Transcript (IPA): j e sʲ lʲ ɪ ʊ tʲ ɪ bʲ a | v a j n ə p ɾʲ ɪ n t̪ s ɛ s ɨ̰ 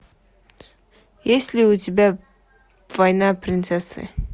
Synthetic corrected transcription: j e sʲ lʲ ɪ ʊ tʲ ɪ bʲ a | v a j n a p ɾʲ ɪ n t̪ s ɛ s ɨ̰